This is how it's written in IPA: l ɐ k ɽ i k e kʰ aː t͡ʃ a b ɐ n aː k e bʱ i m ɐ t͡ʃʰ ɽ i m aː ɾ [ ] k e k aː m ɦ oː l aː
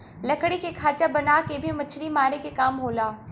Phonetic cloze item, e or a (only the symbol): e